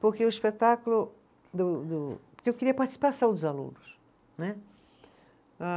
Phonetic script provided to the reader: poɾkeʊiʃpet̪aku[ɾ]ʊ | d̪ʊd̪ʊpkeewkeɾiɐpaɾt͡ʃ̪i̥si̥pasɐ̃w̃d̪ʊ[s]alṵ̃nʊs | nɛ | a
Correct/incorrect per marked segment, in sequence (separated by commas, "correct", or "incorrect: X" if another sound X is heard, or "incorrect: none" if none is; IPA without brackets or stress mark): incorrect: l, incorrect: z